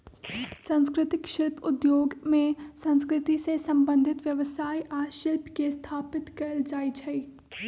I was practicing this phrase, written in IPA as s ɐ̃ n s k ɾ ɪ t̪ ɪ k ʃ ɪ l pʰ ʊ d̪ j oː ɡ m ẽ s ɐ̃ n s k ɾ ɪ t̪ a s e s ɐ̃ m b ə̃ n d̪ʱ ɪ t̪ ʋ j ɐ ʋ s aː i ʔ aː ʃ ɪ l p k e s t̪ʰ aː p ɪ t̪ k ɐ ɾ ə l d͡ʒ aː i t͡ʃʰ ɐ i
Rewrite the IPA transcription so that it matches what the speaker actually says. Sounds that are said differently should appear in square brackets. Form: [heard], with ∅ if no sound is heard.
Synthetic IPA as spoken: s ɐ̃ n s k ɾ ɪ t̪ ɪ k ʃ ɪ l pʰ ʊ d̪ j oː ɡ m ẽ s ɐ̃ n s k ɾ ɪ t̪ [i] s e s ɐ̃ m b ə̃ n d̪ʱ ɪ t̪ ʋ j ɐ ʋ s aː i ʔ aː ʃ ɪ l p k e s t̪ʰ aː p ɪ t̪ k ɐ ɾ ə l d͡ʒ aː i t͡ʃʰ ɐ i